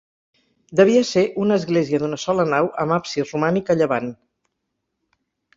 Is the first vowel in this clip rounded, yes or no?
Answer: no